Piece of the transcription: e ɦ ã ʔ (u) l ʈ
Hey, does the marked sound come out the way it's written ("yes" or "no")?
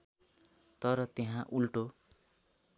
yes